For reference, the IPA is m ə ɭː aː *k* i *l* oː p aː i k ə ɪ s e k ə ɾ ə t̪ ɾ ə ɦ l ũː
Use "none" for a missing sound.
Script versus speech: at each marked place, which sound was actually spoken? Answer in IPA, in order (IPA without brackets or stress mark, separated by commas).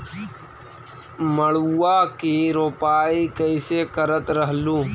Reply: k, ɾ